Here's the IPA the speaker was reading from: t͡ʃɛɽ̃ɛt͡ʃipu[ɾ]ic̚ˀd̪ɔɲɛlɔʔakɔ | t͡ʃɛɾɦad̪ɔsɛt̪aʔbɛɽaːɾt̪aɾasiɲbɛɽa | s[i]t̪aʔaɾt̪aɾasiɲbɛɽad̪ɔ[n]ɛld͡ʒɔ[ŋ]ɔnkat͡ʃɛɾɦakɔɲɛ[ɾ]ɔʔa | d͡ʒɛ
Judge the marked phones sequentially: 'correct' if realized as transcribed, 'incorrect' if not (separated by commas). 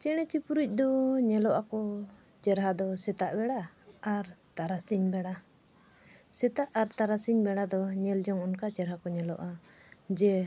correct, incorrect, incorrect, correct, incorrect